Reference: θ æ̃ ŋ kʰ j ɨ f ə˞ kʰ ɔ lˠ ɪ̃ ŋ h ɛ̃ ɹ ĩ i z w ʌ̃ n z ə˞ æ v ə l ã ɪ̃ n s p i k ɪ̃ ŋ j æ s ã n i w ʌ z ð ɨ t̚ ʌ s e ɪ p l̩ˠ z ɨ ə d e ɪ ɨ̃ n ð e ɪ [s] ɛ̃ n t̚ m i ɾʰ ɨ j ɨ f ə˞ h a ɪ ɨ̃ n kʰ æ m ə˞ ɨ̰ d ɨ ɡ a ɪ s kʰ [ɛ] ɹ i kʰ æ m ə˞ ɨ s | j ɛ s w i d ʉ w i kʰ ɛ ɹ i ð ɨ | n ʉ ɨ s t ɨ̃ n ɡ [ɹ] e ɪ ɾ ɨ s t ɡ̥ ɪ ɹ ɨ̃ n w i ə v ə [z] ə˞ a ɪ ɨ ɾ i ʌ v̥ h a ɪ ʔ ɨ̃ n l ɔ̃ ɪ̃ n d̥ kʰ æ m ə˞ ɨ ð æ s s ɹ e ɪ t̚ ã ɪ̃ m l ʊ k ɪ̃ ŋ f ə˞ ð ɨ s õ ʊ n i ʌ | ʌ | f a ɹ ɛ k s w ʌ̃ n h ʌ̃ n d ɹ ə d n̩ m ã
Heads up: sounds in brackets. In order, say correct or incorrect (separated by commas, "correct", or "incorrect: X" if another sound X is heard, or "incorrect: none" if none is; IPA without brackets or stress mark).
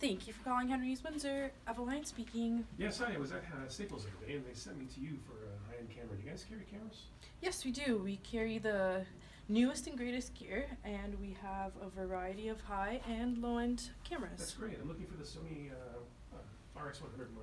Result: correct, correct, correct, incorrect: v